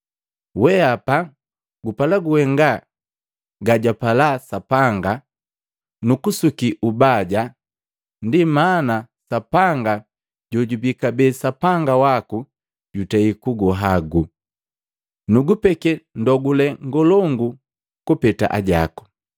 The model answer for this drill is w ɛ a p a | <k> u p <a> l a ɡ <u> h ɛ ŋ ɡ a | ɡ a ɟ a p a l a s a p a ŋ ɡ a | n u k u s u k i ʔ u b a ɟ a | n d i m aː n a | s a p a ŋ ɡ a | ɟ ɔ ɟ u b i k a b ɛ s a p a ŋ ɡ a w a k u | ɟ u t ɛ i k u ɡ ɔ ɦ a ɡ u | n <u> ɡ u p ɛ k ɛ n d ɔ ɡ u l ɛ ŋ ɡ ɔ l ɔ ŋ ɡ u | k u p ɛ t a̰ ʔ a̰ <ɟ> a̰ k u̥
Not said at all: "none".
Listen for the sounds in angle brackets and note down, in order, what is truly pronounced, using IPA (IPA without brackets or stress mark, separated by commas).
ɡ, a, u, u, ɟ